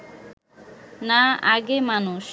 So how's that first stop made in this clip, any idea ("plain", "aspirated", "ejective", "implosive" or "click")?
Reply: plain